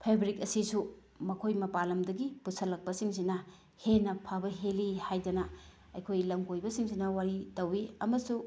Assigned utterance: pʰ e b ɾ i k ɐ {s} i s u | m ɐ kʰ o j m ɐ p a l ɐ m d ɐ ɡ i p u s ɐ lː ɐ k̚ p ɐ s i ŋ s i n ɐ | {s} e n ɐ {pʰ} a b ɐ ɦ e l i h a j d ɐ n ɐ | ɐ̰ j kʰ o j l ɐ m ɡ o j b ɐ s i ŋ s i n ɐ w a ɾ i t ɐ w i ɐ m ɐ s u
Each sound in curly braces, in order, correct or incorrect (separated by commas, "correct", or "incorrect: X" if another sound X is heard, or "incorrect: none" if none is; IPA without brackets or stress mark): correct, incorrect: h, correct